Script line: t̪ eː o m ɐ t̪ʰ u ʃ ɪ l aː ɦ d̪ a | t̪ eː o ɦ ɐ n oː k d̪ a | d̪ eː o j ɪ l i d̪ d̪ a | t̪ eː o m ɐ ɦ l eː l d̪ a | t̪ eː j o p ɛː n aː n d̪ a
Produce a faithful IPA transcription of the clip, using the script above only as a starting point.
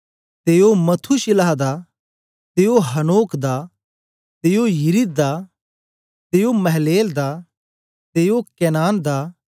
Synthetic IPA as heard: t̪ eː o m ɐ t̪ʰ u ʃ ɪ l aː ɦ d̪ a | t̪ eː o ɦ ɐ n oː k d̪ a | t̪ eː o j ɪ ɾ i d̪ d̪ a | t̪ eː o m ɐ ɦ l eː l d̪ a | t̪ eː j o k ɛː n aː n d̪ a